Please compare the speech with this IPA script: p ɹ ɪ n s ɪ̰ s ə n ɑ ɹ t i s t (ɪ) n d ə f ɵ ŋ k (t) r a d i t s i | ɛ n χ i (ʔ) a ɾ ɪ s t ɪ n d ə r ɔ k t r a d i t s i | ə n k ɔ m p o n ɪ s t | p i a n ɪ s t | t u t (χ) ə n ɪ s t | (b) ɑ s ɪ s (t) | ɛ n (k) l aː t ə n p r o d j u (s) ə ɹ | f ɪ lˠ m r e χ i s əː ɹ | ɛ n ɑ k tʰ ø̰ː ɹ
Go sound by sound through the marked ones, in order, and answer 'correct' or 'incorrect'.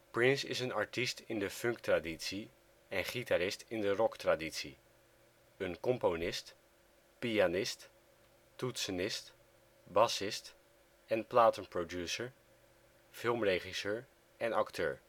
correct, correct, incorrect, incorrect, correct, correct, incorrect, correct

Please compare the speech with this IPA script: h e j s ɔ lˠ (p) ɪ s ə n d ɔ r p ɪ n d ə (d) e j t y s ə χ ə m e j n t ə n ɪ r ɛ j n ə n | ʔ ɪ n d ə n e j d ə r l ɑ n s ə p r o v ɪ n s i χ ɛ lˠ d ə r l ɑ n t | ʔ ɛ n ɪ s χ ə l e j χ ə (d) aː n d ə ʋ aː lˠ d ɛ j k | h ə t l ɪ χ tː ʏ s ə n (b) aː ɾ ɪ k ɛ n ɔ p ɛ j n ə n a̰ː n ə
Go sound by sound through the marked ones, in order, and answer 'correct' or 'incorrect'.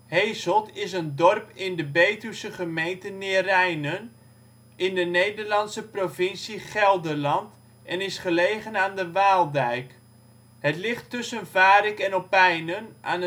incorrect, incorrect, incorrect, incorrect

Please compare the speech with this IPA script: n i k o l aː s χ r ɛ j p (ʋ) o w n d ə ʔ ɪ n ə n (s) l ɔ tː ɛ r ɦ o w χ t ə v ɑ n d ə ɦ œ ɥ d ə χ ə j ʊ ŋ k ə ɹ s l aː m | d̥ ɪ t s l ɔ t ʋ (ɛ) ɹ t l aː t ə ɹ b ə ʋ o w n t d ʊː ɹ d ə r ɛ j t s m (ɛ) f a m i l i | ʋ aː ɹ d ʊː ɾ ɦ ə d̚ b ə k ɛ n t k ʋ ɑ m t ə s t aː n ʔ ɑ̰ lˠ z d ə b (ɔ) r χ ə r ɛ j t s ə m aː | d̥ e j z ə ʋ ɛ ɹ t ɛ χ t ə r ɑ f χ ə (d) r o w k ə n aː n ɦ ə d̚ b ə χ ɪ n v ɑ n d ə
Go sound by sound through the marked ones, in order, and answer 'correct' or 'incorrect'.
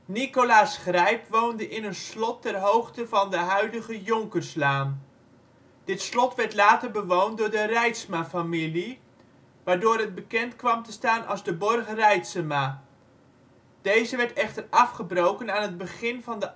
correct, correct, correct, incorrect, correct, incorrect

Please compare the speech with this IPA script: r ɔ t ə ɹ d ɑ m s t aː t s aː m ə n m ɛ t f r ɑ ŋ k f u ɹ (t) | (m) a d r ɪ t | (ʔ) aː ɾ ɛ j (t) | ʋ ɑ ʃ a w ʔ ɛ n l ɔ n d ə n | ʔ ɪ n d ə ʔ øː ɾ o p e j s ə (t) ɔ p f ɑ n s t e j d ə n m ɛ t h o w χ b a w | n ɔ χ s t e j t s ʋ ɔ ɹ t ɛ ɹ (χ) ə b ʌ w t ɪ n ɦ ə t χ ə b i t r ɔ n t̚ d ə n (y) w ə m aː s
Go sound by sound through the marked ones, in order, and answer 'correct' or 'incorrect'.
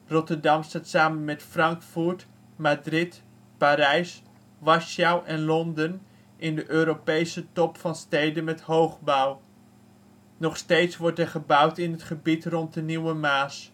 correct, correct, incorrect, incorrect, correct, correct, incorrect

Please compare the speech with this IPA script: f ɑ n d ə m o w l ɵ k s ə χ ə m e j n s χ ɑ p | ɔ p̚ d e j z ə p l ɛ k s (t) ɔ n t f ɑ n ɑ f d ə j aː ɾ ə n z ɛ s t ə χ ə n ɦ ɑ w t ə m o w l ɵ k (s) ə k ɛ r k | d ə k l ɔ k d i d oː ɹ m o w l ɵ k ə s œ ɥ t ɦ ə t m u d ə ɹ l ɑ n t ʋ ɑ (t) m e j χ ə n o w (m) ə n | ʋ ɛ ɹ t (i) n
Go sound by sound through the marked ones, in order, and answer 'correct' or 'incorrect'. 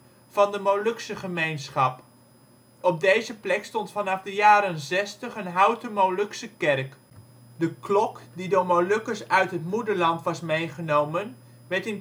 correct, correct, incorrect, correct, incorrect

